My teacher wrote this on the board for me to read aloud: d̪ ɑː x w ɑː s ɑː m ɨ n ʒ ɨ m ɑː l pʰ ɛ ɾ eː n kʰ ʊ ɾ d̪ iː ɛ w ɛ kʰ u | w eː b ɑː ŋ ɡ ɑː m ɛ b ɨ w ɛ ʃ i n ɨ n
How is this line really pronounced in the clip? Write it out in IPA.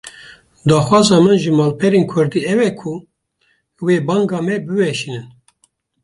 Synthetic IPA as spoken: d̪ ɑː x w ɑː z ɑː m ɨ n ʒ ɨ m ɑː l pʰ ɛ ɾ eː n kʰ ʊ ɾ d̪ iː ɛ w ɛ kʰ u | w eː b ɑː ŋ ɡ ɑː m ɛ b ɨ w ɛ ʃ i n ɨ n